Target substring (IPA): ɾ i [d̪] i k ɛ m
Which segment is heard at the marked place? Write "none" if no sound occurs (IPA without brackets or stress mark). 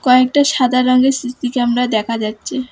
t̪